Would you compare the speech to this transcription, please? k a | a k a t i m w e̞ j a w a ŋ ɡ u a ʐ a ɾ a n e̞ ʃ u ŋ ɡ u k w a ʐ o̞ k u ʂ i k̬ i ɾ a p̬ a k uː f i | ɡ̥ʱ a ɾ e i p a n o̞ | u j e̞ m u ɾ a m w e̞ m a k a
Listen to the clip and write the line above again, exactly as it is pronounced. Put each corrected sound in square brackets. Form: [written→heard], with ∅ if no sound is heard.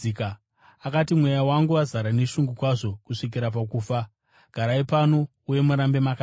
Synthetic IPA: k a | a k a t i m w e̞ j a w a ŋ ɡ u a [ʐ→z] a ɾ a n e̞ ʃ u ŋ ɡ u k w a ʐ o̞ k u ʂ i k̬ i ɾ a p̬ a k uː f [i→a] | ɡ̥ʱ a ɾ [e→a] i p a n o̞ | u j e̞ m u ɾ a m [w→b] e̞ m a k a